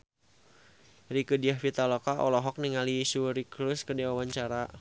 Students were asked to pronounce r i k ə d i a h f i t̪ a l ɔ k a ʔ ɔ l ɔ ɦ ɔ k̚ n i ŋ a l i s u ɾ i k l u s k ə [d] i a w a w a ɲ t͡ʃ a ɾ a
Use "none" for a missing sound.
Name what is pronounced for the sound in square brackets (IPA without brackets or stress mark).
d